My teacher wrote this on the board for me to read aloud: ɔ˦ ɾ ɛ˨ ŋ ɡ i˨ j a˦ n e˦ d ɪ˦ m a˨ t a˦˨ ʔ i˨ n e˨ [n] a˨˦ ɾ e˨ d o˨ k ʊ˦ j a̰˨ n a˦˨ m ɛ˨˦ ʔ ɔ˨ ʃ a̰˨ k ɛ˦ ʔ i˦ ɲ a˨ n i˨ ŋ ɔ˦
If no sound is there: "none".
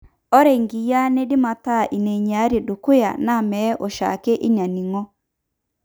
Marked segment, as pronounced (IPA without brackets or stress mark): ɲ